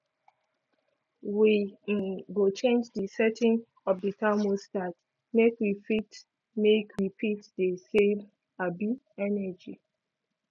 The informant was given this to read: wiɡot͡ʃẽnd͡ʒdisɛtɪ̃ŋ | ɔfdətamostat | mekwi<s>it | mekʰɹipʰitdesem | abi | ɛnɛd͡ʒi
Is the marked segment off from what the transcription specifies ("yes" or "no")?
yes